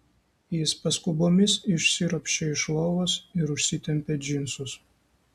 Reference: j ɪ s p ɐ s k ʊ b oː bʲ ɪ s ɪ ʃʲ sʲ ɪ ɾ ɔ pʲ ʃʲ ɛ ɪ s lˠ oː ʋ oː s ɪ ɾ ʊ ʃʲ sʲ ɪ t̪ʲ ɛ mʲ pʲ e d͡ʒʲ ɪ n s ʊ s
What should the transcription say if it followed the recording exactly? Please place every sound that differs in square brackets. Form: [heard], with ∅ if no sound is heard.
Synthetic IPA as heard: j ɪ s p ɐ s k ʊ b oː [mʲ] ɪ s ɪ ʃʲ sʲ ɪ ɾ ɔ pʲ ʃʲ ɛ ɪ [ʃ] lˠ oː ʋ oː s ɪ ɾ ʊ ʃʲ sʲ ɪ t̪ʲ ɛ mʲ pʲ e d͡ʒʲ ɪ n s ʊ s